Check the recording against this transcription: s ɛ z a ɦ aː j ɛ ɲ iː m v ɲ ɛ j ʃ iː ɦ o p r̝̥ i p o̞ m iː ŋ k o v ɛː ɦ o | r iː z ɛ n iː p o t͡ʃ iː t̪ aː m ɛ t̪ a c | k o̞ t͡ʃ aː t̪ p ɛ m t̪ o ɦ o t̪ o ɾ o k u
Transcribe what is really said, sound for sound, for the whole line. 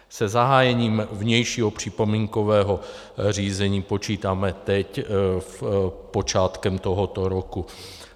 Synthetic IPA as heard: s ɛ z a ɦ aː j ɛ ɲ iː m v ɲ ɛ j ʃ iː ɦ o p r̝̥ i p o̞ m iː ŋ k o v ɛː ɦ o | r iː z ɛ ɲ iː p o t͡ʃ iː t̪ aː m ɛ t̪ ɛ c | p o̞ t͡ʃ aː t̪ k ɛ m t̪ o ɦ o t̪ o ɾ o k u

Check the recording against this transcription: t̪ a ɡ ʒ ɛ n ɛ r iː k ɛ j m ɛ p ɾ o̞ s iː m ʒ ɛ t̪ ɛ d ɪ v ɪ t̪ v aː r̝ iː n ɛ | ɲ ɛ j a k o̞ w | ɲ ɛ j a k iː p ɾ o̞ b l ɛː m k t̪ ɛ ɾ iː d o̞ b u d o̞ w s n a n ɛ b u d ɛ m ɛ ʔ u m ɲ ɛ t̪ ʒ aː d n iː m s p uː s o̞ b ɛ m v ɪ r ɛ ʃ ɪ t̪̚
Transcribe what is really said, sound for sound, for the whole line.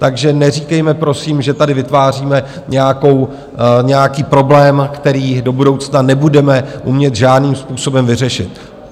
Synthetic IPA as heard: t̪ a ɡ ʒ ɛ n ɛ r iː k ɛ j m ɛ p ɾ o̞ s iː m ʒ ɛ t̪ a d ɪ v ɪ t̪ v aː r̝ iː m ɛ | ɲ ɛ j a k o̞ w | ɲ ɛ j a k iː p ɾ o̞ b l ɛː m k t̪ ɛ ɾ iː d o̞ b u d o̞ w t͡s n a n ɛ b u d ɛ m ɛ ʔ u m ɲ ɛ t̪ ʒ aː d n iː m s p uː s o̞ b ɛ m v ɪ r ɛ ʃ ɪ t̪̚

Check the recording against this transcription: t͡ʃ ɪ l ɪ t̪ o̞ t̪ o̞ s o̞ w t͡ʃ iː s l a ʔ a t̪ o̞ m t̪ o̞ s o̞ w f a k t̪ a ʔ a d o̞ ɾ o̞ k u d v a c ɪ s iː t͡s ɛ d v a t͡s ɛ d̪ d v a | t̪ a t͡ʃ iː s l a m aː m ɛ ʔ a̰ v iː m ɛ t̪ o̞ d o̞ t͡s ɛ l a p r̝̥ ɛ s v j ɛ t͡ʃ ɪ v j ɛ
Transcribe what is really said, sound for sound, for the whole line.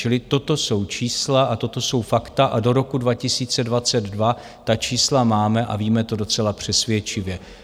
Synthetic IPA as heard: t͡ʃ ɪ l ɪ t̪ o̞ t̪ o̞ s o̞ w t͡ʃ iː s l a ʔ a t̪ o̞ t̪ o̞ s o̞ w f a k t̪ a ʔ a d o̞ ɾ o̞ k u d v a c ɪ s iː t͡s ɛ d v a t͡s ɛ d̪ d v a | t̪ a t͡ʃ iː s l a m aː m ɛ ʔ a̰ v iː m ɛ t̪ o̞ d o̞ t͡s ɛ l a p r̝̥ ɛ s v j ɛ t͡ʃ ɪ v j ɛ

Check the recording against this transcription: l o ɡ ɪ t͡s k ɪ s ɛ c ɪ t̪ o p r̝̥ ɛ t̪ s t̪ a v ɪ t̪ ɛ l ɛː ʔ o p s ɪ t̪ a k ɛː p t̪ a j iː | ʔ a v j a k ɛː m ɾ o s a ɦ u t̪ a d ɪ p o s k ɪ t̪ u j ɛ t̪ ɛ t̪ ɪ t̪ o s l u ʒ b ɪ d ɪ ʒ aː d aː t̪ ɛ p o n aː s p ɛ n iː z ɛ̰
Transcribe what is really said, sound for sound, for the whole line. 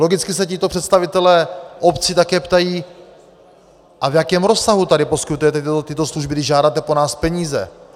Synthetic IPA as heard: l o ɡ ɪ t͡s k ɪ s ɛ c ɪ t̪ o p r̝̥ ɛ t̪ s t̪ a v ɪ t̪ ɛ l ɛː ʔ o p t͡s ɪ t̪ a k ɛː p t̪ a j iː | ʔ a v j a k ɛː m ɾ o s a ɦ u t̪ a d ɪ p o s k ɪ t̪ u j ɛ t̪ ɛ t̪ ɪ t̪ o s l u ʒ b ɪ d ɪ ʒ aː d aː t̪ ɛ p o n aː s p ɛ ɲ iː z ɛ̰

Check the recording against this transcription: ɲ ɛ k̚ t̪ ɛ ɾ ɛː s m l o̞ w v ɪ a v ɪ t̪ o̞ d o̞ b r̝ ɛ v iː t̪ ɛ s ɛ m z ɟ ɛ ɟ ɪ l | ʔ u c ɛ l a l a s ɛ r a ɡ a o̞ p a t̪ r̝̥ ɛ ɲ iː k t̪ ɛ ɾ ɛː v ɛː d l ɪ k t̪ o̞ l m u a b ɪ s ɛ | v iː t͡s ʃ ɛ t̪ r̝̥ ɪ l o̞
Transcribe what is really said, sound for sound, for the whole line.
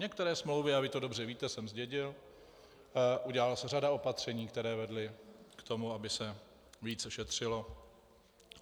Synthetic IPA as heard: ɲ ɛ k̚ t̪ ɛ ɾ ɛː s m l o̞ w v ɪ a v ɪ t̪ o̞ d o̞ b r̝ ɛ v iː t̪ ɛ s ɛ m z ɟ ɛ ɟ ɪ l | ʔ u ɟ ɛ l a l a s ɛ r a d a o̞ p a t̪ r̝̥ ɛ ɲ iː k t̪ ɛ ɾ ɛː v ɛ d l ɪ k t̪ o̞ m u a b ɪ s ɛ | v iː t͡s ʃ ɛ t̪ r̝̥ ɪ l o̞

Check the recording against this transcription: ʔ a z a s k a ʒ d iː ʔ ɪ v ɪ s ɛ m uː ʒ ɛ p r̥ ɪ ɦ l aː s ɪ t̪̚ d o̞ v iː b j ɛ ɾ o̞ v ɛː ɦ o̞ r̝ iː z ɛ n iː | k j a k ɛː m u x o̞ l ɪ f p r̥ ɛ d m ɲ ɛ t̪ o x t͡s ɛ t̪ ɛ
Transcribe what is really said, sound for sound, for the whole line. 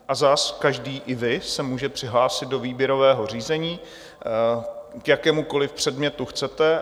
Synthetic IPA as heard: ʔ a z a s k a ʒ d iː ʔ ɪ v ɪ s ɛ m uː ʒ ɛ p r̥ ɪ ɦ l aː s ɪ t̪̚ d o̞ v iː b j ɛ ɾ o̞ v ɛː ɦ o̞ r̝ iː z ɛ ɲ iː | k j a k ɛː m u k o̞ l ɪ f p r̥ ɛ d m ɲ ɛ t̪ u x t͡s ɛ t̪ ɛ

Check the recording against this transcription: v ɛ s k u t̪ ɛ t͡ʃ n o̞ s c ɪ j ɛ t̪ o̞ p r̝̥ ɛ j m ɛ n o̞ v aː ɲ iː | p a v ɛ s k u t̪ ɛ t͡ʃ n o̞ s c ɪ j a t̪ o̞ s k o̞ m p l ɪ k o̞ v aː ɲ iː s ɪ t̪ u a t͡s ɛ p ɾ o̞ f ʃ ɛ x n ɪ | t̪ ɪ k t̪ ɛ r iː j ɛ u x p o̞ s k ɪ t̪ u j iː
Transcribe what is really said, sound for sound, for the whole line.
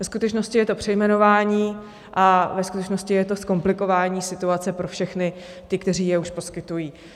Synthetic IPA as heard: v ɛ s k u t̪ ɛ t͡ʃ n o̞ s c ɪ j ɛ t̪ o̞ p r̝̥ ɛ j m ɛ n o̞ v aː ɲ iː | ʔ a v ɛ s k u t̪ ɛ t͡ʃ n o̞ s c ɪ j ɛ t̪ o̞ s k o̞ m p l ɪ k o̞ v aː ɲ iː s ɪ t̪ u a t͡s ɛ p ɾ o̞ f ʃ ɛ x n ɪ | t̪ ɪ k t̪ ɛ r iː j ɛ u ʃ p o̞ s k ɪ t̪ u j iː

